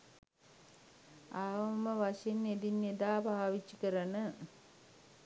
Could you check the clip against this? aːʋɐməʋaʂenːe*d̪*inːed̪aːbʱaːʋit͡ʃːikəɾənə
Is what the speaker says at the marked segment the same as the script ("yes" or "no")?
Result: yes